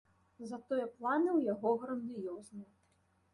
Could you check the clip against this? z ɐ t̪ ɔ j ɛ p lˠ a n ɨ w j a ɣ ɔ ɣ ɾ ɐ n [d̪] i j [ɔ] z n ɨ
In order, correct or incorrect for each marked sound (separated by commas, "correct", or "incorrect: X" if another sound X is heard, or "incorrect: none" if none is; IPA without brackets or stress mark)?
correct, correct